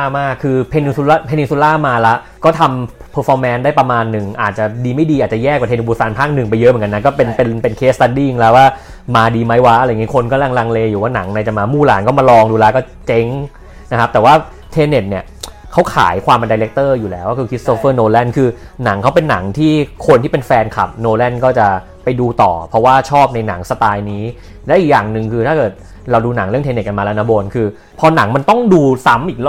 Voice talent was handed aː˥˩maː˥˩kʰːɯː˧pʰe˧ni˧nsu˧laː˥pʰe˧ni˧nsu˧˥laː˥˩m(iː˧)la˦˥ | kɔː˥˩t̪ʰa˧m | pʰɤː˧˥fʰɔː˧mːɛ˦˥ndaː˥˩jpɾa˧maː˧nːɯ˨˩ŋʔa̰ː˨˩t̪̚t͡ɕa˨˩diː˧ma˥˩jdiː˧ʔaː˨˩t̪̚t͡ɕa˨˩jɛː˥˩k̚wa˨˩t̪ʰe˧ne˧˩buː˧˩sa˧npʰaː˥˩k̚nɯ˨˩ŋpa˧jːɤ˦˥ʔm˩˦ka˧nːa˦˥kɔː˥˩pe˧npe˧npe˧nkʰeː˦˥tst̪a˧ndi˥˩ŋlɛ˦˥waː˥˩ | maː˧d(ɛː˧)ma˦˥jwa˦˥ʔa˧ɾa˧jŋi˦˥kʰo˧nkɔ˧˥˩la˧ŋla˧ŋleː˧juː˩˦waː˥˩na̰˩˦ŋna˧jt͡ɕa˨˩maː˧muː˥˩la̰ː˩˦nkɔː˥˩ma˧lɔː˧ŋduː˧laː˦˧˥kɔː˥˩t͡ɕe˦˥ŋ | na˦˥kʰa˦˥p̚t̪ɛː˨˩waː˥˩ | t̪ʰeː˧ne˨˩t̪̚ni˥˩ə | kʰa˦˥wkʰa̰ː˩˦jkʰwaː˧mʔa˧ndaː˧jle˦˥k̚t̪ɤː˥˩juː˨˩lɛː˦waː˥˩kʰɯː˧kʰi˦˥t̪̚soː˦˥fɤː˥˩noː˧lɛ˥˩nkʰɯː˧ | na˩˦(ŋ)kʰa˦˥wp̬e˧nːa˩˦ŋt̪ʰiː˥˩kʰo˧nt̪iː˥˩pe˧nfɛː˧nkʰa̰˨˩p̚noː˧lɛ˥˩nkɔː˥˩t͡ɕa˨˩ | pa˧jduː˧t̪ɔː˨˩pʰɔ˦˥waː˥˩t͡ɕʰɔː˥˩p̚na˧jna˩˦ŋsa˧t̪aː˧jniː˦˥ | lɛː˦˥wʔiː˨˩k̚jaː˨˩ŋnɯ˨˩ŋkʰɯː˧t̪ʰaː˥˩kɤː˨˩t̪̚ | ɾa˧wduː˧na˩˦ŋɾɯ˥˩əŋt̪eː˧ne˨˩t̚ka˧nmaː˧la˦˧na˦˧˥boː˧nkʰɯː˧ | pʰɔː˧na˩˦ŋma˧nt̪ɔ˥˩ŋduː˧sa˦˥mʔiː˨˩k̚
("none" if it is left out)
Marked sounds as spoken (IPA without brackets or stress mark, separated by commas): aː˧, iː˧, ŋ